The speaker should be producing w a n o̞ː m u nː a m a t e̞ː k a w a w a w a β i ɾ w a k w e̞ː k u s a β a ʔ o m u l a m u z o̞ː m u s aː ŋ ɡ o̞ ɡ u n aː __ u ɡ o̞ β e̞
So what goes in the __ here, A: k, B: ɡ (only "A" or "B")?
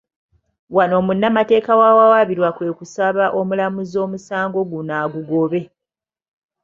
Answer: B